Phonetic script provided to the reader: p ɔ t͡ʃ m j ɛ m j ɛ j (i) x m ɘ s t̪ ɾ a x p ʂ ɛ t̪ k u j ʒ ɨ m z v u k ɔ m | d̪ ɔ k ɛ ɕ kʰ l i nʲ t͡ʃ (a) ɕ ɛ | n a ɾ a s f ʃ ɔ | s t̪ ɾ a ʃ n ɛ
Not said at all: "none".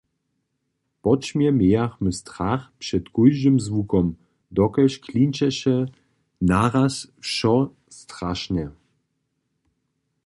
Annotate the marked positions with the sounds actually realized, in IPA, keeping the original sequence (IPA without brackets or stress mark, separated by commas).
a, ɛ